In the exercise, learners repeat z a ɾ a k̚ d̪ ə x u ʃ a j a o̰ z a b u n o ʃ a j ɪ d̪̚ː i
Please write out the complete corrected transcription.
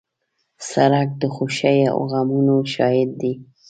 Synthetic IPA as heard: s a ɾ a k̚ d̪ ə x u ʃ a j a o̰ ɣ a m u n o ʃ ɑ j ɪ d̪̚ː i